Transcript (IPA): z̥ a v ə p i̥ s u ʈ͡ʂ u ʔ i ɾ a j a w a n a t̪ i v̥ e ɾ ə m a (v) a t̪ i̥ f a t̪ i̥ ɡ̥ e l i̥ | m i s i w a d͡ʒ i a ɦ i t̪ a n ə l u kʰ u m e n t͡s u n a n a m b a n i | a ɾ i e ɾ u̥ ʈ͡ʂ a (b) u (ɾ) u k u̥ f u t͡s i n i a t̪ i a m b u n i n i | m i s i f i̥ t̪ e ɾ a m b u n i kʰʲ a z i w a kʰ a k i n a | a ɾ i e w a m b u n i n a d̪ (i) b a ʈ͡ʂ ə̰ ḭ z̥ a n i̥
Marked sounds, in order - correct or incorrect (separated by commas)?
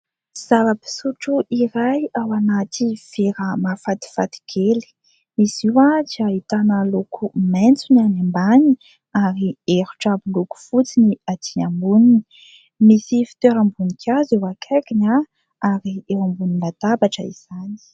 incorrect, correct, incorrect, incorrect